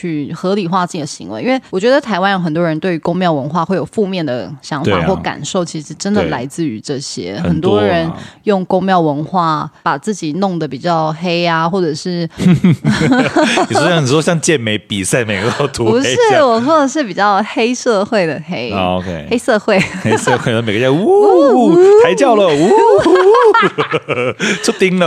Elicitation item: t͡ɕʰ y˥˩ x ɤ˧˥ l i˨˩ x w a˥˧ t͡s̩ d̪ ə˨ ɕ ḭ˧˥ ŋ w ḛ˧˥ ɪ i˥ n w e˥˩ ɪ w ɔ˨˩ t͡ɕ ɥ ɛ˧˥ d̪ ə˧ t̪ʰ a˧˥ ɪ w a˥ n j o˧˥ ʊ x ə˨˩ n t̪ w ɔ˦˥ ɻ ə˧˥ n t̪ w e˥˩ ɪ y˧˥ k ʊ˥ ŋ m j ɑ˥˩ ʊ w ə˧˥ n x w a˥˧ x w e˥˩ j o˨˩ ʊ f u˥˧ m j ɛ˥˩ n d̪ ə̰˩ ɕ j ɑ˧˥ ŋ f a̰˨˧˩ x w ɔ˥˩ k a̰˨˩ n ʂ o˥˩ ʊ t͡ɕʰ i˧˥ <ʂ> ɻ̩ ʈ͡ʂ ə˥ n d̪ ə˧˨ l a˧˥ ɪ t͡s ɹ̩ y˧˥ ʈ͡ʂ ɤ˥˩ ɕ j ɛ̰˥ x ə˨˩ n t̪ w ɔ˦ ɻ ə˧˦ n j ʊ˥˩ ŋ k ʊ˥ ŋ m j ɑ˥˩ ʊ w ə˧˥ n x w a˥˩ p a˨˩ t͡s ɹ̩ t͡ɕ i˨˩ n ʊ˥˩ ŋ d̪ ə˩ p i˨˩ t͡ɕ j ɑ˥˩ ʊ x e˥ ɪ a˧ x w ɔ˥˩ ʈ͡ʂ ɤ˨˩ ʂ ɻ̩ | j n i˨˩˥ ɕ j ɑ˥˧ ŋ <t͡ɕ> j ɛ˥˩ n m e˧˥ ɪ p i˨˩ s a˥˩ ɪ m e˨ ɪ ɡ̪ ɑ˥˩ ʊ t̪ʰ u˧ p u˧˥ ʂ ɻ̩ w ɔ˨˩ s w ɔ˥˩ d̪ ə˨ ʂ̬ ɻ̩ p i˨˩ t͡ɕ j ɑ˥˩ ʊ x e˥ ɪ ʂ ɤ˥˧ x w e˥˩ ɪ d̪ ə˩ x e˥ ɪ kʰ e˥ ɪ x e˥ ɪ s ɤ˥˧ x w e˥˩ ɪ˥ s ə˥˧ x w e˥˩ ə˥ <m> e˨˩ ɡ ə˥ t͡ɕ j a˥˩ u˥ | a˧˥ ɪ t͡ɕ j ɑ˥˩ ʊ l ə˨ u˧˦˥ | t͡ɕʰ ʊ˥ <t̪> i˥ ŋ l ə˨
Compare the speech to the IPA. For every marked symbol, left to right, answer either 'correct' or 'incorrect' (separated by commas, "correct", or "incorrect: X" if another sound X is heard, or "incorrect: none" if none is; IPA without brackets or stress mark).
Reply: correct, correct, correct, correct